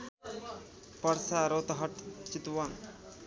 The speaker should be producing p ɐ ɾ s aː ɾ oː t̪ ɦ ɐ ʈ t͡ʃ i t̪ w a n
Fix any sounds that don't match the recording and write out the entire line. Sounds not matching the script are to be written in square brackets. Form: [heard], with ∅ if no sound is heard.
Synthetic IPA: p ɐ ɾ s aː ɾ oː t̪ ɦ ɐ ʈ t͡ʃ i t̪ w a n